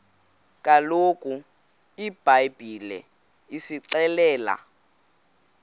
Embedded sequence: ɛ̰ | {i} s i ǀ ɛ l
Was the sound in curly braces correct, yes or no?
yes